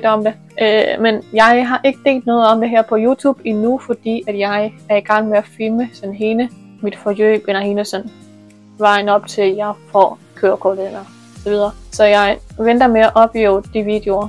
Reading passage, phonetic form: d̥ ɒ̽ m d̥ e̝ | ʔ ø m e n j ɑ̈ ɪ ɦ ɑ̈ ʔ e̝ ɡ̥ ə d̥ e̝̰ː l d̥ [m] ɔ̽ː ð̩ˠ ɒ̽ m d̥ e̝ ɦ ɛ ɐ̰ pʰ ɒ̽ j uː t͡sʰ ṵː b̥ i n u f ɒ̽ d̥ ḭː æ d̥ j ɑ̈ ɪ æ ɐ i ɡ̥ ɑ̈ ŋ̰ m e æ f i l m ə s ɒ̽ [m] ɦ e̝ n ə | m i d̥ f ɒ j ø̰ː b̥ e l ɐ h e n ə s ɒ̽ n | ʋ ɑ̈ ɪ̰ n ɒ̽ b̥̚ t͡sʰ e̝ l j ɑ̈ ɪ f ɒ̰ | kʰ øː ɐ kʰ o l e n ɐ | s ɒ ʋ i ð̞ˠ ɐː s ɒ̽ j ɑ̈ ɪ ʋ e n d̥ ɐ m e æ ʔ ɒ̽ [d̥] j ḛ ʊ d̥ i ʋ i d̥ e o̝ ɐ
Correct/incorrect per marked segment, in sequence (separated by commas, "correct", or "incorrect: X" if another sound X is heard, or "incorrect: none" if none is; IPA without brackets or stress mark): incorrect: n, incorrect: n, incorrect: b̥